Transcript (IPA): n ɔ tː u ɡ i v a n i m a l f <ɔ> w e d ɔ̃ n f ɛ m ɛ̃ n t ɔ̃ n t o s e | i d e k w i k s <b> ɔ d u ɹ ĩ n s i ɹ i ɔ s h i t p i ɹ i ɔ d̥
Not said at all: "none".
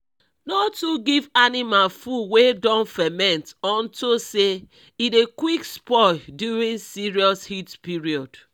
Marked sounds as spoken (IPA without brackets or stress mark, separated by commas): u, p